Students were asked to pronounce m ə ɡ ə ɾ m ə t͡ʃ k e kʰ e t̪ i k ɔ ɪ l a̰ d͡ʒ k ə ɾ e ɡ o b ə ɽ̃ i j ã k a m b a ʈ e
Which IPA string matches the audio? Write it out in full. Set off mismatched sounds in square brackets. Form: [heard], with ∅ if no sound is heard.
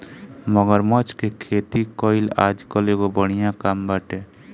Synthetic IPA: m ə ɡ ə ɾ m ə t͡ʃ k e kʰ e t̪ i k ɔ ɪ l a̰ d͡ʒ k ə [l] e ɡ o b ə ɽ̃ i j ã k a m b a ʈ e